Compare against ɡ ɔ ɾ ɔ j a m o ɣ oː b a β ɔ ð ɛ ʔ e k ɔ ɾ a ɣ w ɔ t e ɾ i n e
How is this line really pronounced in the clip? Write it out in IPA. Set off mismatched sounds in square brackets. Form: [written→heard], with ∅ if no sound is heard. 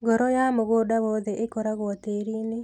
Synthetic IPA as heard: ɡ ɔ ɾ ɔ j a m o ɣ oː [b→d] a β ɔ ð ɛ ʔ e k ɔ ɾ a ɣ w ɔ t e ɾ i n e